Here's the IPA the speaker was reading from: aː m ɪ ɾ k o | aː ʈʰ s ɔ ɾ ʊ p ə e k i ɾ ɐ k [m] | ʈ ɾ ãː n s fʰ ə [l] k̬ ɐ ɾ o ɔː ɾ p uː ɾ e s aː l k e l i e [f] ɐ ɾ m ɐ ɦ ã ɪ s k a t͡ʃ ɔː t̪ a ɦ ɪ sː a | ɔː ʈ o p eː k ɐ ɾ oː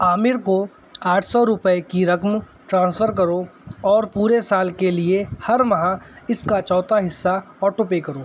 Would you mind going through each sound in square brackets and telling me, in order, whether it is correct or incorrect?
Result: correct, incorrect: ɾ, incorrect: h

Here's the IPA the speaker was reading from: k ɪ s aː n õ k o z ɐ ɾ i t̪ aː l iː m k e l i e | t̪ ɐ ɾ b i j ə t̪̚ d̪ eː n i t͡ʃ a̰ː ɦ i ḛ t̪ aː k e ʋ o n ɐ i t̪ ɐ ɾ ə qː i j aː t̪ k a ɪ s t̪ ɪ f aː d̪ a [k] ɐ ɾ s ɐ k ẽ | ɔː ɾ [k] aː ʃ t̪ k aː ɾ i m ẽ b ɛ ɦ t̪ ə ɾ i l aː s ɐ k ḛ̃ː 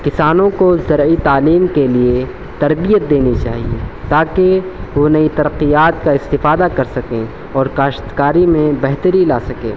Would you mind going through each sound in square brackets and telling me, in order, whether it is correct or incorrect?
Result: correct, correct

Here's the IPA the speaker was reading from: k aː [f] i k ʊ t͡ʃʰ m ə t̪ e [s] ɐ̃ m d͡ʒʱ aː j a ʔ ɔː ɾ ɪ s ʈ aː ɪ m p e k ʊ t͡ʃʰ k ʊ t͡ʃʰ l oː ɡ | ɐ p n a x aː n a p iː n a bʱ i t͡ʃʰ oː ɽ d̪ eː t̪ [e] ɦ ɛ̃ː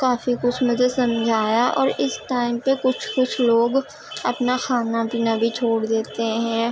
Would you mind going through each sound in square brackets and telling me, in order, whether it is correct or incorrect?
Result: correct, correct, correct

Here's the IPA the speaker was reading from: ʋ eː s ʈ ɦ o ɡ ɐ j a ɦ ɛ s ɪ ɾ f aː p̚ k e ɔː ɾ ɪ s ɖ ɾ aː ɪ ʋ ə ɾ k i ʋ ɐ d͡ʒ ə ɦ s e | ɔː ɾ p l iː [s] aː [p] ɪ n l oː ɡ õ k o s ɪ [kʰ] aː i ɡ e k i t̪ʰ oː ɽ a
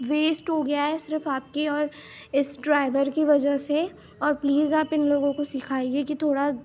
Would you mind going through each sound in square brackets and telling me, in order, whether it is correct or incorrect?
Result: incorrect: z, correct, correct

